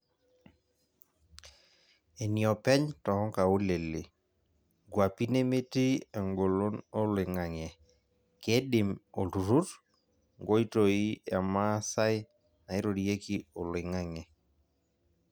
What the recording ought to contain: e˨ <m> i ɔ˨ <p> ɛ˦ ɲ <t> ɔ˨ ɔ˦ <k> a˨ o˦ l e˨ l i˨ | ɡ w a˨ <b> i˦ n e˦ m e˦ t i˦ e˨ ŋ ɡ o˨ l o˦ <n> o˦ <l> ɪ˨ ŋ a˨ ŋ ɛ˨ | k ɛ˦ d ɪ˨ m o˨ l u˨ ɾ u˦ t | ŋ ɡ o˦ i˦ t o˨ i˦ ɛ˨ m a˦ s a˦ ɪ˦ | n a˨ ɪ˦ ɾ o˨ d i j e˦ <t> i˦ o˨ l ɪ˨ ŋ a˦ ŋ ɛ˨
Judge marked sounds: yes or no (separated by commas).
no, yes, yes, yes, no, yes, yes, no